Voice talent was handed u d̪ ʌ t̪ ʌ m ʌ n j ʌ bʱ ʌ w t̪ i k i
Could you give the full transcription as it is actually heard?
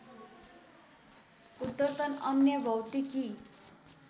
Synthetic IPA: u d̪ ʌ t̪ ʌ n ʌ n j ʌ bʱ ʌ w t̪ i k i